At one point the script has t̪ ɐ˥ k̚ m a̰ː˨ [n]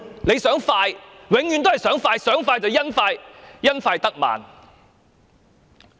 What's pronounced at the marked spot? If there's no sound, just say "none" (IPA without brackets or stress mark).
n